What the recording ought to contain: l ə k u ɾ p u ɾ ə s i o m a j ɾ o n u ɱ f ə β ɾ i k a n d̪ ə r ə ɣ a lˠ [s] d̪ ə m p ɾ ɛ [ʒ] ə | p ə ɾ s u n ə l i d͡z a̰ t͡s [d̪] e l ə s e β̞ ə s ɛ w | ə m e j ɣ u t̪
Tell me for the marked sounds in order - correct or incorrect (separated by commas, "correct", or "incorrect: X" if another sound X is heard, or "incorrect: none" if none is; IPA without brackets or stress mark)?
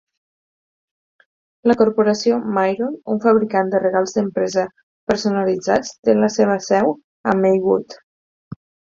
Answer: incorrect: z, incorrect: z, incorrect: t̪